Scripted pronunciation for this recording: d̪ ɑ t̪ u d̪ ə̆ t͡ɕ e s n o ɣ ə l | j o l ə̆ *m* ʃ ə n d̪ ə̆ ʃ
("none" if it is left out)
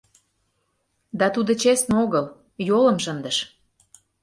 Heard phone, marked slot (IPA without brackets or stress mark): m